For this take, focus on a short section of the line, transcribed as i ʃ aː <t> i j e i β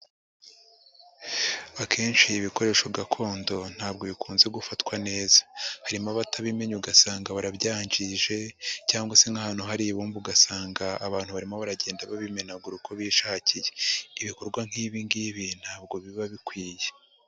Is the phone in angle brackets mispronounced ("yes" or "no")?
yes